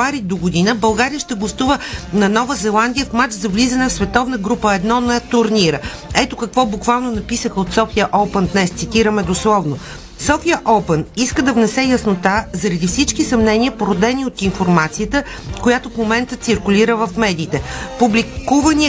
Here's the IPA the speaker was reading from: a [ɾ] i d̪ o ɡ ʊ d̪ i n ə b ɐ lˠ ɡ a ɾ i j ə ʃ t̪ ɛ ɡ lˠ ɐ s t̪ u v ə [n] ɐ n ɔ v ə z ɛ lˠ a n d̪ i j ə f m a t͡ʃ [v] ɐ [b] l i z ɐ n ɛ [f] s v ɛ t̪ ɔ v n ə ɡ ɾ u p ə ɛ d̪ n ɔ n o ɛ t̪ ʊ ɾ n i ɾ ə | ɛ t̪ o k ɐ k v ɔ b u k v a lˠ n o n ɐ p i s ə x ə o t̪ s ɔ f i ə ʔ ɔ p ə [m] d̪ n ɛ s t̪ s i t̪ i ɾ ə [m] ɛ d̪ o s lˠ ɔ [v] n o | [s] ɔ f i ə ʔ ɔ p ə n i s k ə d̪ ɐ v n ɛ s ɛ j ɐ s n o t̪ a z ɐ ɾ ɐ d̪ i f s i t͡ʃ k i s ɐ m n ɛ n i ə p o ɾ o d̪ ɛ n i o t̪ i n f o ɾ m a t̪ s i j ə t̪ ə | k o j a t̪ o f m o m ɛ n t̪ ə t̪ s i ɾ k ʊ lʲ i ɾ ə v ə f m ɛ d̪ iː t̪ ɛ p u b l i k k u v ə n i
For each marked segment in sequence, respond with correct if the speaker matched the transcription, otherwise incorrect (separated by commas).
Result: correct, correct, incorrect, incorrect, correct, incorrect, correct, correct, correct